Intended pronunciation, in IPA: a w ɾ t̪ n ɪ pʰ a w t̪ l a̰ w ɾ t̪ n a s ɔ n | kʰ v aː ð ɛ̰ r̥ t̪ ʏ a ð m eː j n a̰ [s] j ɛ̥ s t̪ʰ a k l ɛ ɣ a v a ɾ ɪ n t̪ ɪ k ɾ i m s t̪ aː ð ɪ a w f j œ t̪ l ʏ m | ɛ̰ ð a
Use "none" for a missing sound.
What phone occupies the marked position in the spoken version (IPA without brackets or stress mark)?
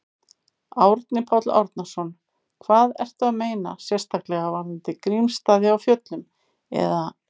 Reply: s